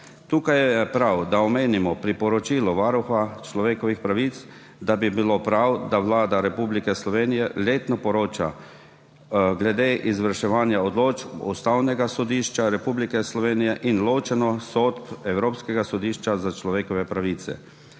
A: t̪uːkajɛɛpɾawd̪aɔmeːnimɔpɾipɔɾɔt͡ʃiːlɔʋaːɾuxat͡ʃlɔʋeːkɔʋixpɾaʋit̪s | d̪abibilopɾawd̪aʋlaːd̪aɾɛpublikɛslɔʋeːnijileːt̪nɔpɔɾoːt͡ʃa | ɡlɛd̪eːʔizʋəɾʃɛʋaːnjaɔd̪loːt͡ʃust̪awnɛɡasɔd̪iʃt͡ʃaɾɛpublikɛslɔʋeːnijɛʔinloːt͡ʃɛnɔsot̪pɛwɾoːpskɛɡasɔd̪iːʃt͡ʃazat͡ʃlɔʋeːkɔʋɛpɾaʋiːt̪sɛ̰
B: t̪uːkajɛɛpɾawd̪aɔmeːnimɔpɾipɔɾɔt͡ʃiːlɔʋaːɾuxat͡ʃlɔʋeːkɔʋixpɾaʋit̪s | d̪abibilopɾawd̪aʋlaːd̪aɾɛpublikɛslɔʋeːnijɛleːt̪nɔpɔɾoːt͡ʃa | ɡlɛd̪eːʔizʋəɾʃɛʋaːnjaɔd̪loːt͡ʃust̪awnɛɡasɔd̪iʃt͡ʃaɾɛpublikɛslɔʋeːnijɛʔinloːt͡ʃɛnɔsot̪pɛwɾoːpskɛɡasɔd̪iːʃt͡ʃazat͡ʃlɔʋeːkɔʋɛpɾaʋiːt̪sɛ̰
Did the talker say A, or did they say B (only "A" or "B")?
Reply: B